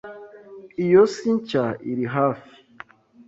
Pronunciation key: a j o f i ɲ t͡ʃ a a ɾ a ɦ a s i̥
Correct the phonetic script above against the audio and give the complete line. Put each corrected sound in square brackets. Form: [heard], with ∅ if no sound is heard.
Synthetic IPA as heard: [i] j o [s] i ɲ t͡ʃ a [i] ɾ [i] ɦ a [f] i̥